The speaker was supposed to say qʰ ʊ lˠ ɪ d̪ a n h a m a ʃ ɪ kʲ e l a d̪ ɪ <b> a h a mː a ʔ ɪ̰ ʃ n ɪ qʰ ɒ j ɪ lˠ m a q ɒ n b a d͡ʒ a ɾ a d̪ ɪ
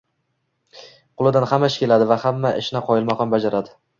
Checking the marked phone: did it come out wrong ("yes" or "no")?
yes